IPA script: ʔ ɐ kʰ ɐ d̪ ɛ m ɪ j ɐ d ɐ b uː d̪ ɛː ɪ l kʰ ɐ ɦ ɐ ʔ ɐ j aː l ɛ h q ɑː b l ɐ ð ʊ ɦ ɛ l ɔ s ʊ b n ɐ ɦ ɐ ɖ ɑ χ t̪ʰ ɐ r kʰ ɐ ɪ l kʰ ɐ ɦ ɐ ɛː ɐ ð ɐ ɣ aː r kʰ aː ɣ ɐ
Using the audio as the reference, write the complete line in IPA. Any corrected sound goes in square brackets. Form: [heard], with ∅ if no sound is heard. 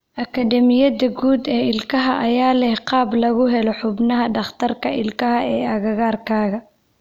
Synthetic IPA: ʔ ɐ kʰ ɐ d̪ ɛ m ɪ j ɐ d ɐ [ɡ] uː d̪ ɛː ɪ l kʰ ɐ ɦ ɐ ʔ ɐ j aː l ɛ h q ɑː b l ɐ [ɣ] ʊ ɦ ɛ l ɔ [ħ] ʊ b n ɐ ɦ ɐ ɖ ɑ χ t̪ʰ ɐ r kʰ ɐ ɪ l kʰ ɐ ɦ ɐ ɛː ɐ [ɣ] ɐ ɣ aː r kʰ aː ɣ ɐ